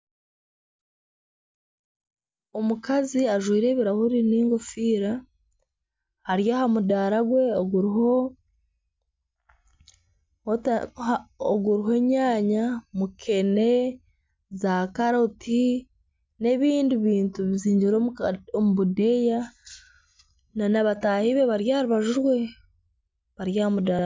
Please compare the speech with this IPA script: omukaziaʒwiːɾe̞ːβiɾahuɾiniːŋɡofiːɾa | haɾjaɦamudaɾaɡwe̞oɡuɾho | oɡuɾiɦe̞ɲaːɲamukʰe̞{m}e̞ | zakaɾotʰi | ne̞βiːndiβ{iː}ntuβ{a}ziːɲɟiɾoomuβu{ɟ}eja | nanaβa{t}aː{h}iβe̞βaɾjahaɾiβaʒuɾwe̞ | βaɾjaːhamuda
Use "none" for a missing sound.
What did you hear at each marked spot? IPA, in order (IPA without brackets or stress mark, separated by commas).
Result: n, iː, i, d, t, h